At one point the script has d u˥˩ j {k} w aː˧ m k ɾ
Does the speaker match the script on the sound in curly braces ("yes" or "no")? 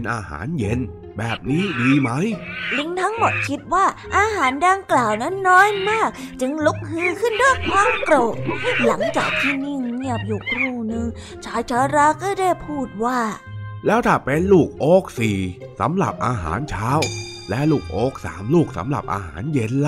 no